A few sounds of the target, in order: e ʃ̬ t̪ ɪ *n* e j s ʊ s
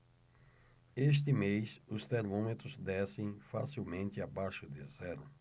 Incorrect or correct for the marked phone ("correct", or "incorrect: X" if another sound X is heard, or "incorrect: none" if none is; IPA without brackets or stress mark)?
incorrect: m